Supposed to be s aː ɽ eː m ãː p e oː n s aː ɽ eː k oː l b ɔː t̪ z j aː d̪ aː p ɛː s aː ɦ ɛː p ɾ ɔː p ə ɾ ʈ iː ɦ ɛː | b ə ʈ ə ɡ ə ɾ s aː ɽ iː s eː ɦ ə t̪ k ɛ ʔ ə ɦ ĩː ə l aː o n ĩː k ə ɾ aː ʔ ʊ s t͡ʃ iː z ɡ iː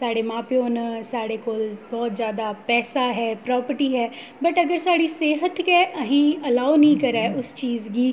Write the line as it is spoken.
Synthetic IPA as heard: s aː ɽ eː m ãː p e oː n s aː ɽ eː k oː l b ɔː t̪ z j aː d̪ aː p ɛː s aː ɦ ɛː p ɾ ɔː p ə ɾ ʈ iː ɦ ɛː | b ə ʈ ə ɡ ə ɾ s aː ɽ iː s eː ɦ ə t̪ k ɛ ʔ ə ɦ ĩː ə l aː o n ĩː k ə ɾ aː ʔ ʊ s t͡ʃ iː z ɡ iː